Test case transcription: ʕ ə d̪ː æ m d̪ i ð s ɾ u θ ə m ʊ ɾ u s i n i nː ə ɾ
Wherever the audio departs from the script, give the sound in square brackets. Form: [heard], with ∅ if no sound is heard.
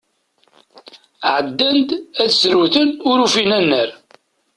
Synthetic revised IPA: ʕ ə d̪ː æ [n] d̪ [æ] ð s ɾ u θ ə [n] ʊ ɾ u [f] i n [æ] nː ə ɾ